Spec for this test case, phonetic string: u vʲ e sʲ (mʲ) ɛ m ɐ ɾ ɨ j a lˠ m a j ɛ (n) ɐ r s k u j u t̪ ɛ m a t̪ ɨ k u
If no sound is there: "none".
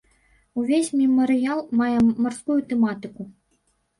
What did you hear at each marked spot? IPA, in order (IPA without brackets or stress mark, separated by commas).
mʲ, m